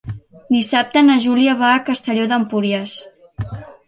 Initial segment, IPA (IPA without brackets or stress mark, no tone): d̪